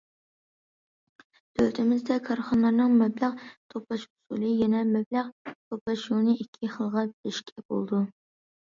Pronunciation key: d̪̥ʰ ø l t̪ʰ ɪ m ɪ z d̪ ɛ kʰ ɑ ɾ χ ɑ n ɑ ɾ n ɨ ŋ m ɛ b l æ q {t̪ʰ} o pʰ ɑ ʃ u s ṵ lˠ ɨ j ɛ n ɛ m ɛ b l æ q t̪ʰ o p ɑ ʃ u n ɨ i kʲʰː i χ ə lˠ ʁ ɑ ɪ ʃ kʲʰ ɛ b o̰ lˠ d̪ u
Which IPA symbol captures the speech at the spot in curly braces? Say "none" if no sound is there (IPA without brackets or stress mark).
t̪ʰ